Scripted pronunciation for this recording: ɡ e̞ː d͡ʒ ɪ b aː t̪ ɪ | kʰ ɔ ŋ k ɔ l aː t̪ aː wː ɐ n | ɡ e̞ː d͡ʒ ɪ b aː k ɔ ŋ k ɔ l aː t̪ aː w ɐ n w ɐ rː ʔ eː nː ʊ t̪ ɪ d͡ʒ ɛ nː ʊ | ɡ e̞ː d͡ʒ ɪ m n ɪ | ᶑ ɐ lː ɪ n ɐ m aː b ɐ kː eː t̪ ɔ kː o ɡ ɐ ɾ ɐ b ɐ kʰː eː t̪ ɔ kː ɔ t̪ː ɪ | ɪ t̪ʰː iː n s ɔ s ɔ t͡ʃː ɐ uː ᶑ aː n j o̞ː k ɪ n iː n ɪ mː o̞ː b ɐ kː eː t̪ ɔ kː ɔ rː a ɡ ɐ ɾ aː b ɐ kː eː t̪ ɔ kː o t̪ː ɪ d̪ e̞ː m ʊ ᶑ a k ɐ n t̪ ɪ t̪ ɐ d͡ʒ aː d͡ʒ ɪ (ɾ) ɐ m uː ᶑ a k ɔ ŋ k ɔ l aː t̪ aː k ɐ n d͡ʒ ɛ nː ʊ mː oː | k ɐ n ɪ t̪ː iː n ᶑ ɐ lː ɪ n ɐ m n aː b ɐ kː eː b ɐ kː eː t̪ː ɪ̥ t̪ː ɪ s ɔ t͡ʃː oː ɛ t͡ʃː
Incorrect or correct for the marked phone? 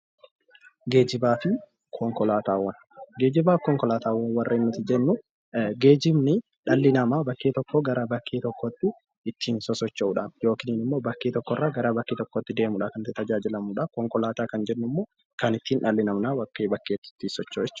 incorrect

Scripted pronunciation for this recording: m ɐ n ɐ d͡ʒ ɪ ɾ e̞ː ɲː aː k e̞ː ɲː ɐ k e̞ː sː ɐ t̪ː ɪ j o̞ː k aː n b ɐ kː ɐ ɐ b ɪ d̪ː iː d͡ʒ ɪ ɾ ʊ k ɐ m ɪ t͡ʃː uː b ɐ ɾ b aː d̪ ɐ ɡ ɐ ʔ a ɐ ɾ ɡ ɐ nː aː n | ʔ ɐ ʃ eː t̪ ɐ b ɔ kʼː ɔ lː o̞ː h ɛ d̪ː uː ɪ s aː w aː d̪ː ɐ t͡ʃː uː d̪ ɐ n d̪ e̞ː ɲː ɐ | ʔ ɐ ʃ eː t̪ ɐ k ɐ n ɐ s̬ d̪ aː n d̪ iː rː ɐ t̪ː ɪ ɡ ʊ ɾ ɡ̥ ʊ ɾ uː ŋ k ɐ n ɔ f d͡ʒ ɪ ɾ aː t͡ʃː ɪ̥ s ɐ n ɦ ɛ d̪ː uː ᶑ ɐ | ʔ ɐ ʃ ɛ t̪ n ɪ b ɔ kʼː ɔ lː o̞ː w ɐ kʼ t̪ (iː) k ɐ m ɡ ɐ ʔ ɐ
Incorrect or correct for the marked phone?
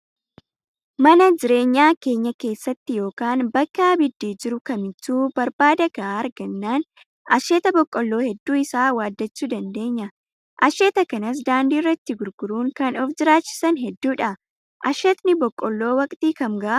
correct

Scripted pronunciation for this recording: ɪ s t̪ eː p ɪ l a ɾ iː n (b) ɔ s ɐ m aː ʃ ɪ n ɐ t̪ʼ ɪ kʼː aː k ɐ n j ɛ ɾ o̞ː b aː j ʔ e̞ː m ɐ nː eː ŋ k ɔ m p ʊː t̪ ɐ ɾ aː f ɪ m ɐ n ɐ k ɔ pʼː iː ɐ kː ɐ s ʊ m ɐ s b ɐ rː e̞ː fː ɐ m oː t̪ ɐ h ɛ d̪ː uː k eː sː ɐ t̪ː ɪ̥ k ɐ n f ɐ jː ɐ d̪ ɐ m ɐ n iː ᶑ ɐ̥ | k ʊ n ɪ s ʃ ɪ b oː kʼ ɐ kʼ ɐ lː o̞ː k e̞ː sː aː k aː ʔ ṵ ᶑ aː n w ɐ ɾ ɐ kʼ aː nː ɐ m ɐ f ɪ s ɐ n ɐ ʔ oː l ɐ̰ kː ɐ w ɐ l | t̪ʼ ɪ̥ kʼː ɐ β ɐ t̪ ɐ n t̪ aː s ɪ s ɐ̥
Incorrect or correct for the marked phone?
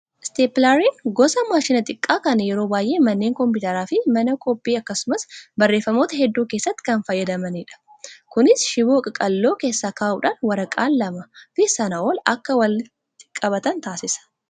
incorrect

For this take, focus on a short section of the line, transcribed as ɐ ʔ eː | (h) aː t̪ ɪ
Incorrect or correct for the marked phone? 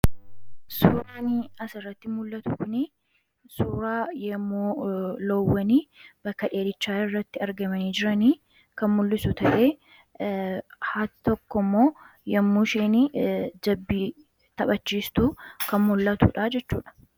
correct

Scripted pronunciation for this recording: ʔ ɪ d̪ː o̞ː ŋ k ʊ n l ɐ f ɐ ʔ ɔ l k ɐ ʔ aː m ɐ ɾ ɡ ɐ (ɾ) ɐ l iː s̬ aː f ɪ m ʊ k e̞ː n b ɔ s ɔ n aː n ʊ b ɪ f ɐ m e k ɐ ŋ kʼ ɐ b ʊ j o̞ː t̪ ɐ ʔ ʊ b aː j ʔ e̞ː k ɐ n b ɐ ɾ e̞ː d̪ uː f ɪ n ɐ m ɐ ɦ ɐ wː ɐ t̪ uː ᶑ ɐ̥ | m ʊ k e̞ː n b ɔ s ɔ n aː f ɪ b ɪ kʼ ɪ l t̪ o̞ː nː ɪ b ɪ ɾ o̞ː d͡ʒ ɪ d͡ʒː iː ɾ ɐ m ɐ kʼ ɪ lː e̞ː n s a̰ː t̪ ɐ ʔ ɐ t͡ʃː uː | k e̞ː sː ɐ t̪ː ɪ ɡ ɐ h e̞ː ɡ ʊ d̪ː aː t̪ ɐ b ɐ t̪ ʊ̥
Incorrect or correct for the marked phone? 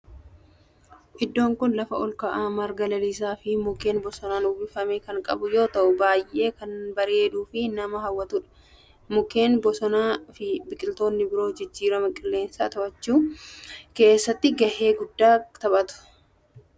incorrect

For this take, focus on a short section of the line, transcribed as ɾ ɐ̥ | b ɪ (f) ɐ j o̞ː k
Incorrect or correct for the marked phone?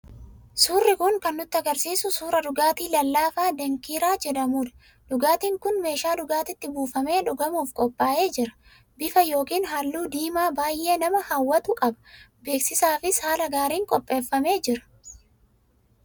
correct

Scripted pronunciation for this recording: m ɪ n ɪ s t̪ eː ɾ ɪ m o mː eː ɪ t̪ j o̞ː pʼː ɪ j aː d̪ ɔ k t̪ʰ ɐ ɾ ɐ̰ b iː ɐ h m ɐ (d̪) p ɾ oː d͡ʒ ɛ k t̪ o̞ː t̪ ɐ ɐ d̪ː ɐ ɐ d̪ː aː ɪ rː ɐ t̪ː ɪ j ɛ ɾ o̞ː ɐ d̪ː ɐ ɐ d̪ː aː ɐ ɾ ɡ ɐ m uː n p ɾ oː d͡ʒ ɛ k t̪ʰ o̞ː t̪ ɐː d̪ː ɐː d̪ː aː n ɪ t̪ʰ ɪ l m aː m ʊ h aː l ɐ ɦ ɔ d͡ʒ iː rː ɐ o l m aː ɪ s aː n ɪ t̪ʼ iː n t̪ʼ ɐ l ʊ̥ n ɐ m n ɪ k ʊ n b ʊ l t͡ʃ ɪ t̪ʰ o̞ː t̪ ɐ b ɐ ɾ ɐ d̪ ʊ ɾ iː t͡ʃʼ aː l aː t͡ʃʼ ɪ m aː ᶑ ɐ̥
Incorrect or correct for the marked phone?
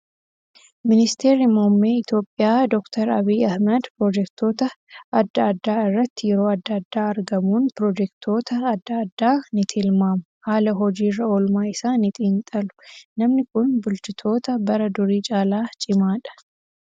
correct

